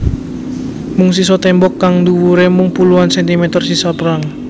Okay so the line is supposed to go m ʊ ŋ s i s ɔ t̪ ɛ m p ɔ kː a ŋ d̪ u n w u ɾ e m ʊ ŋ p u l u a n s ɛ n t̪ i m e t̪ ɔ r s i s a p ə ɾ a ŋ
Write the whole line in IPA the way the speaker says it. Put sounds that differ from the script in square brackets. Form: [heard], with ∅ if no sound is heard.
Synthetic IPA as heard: m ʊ ŋ s i s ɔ t̪ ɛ m [b] ɔ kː a ŋ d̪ u [∅] w u ɾ e m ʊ ŋ p u l u a n s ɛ n t̪ i m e t̪ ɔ r s i s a p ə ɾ a ŋ